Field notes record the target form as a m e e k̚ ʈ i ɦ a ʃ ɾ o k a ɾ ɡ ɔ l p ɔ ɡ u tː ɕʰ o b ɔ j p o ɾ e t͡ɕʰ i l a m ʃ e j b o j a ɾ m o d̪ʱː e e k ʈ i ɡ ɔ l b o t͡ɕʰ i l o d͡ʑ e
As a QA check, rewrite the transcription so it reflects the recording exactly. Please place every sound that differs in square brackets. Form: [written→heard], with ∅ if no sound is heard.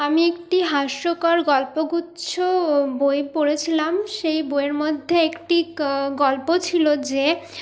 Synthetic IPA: a m [e→i] e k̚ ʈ i ɦ a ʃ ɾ o k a ɾ ɡ ɔ l p [ɔ→o] ɡ u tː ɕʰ o b [ɔ→o] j p o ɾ e t͡ɕʰ i l a m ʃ e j b o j [a→e] ɾ m o d̪ʱː e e k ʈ i ɡ ɔ l [b→p] o t͡ɕʰ i l o d͡ʑ e

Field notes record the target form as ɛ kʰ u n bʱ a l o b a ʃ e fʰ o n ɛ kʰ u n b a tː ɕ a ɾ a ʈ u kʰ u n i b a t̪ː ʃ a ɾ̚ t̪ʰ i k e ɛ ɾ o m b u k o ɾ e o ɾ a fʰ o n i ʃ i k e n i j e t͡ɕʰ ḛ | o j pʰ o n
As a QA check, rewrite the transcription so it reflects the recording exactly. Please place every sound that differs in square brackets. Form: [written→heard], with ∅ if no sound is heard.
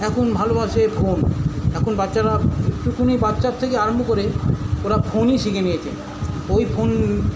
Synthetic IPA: ɛ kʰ u n bʱ a l o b a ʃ e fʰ o n ɛ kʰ u n b a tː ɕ a ɾ a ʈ u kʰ u n i b a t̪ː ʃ a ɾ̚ t̪ʰ [i→e] k e [ɛ→a] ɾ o m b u k o ɾ e o ɾ a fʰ o n i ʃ i k e n i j e t͡ɕʰ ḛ | o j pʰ o n

